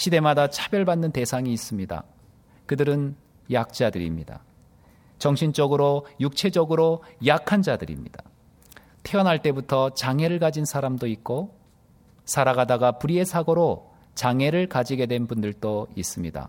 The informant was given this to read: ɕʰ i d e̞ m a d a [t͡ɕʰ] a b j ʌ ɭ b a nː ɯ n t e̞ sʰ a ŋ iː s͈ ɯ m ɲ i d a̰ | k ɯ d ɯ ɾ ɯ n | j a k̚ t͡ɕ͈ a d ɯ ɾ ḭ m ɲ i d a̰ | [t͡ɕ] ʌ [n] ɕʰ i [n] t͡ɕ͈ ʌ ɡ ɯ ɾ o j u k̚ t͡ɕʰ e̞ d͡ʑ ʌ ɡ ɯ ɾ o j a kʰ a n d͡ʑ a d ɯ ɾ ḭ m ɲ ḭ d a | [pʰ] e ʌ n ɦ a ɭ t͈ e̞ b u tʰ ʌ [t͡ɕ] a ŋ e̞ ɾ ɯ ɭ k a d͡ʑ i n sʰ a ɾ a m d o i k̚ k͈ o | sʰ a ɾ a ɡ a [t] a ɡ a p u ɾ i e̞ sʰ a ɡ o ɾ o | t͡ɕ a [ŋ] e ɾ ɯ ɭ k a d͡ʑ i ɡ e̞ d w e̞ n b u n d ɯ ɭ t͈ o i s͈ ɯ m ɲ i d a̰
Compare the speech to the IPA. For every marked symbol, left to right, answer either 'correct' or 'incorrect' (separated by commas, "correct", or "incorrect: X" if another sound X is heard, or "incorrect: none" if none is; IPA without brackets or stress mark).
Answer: correct, correct, incorrect: ŋ, correct, incorrect: tʰ, correct, incorrect: d, correct